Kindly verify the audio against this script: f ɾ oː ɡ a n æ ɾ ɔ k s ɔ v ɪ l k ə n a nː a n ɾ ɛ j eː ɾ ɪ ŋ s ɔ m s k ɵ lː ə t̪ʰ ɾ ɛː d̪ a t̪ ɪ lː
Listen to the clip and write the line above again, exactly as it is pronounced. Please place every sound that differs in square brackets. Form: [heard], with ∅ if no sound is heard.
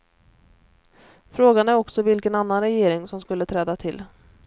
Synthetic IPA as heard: f ɾ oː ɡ a n æ ɾ ɔ k s ɔ v ɪ l k ə n a nː a n ɾ ɛ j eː ɾ ɪ ŋ s ɔ m s k ɵ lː ə t̪ʰ ɾ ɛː d̪ a [t̪ʰ] ɪ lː